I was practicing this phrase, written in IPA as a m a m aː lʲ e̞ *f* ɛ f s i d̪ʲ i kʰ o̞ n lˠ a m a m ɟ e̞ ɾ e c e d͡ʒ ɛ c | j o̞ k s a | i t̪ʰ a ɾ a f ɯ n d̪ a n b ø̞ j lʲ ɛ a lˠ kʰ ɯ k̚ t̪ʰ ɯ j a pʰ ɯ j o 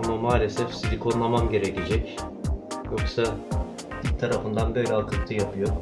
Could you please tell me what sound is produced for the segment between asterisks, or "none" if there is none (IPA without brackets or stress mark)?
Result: s